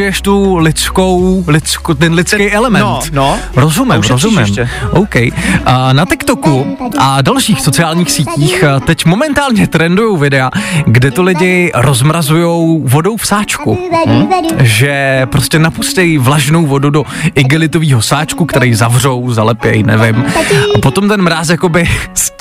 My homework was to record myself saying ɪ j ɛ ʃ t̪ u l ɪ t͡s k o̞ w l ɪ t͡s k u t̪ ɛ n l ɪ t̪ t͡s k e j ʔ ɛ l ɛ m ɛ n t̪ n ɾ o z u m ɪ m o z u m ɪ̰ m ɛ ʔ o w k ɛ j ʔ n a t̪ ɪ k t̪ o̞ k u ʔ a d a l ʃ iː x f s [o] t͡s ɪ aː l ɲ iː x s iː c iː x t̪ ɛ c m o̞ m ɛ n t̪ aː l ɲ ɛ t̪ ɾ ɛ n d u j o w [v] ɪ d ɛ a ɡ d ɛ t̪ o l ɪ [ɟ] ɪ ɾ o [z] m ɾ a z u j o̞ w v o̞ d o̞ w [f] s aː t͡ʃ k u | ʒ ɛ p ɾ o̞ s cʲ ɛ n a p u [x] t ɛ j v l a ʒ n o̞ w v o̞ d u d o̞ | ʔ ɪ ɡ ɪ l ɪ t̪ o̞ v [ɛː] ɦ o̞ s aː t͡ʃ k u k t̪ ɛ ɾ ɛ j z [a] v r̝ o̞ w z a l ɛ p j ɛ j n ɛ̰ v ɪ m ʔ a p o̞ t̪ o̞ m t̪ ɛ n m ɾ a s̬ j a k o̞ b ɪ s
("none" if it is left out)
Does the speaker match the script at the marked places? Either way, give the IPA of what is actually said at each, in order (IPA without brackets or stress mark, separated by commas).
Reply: o, v, ɟ, z, f, s, iː, a